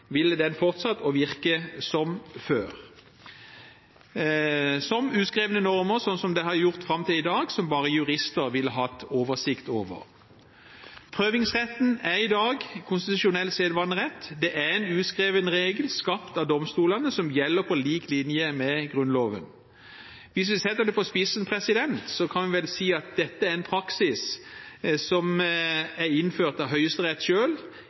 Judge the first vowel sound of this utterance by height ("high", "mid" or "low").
high